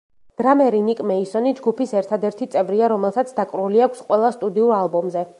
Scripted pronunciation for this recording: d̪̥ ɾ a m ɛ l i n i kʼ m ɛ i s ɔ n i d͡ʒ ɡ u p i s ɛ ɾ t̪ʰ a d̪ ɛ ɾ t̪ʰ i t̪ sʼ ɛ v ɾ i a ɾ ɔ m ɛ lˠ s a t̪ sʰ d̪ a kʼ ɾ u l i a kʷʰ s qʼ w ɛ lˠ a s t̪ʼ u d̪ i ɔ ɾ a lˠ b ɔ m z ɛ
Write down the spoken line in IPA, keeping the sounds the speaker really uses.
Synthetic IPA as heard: d̪̥ ɾ a m ɛ ɾ i n i kʼ m ɛ i s ɔ n i d͡ʒ ɡ u p i s ɛ ɾ t̪ʰ a d̪ ɛ ɾ t̪ʰ i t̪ sʼ ɛ v ɾ i a ɾ ɔ m ɛ lˠ s a t̪ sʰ d̪ a kʼ ɾ u l i a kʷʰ s qʼ w ɛ lˠ a s t̪ʼ u d̪ i u ɾ a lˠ b ɔ m z ɛ